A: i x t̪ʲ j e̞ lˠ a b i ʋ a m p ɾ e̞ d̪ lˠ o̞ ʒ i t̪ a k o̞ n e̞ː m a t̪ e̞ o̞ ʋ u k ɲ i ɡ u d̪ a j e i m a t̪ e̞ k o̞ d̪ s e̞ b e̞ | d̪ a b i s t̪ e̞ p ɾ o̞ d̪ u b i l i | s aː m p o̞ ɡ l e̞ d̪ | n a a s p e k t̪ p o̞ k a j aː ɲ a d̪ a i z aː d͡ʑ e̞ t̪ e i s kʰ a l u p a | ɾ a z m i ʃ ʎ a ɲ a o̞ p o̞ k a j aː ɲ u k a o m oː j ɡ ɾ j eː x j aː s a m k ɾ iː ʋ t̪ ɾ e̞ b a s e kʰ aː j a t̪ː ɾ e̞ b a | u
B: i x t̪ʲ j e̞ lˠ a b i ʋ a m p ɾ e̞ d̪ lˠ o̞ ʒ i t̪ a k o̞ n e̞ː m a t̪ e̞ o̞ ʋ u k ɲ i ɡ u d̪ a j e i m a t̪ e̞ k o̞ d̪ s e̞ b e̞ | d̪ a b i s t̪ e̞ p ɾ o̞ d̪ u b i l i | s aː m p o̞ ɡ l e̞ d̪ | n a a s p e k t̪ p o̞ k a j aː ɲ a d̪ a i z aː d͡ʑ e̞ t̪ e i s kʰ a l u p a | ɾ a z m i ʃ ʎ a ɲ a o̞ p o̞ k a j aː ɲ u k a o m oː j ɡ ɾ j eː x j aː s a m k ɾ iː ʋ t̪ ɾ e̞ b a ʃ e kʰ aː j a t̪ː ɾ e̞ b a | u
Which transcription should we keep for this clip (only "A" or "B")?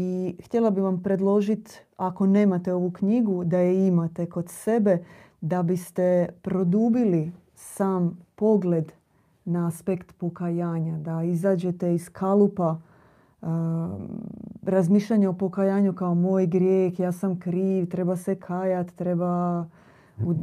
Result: A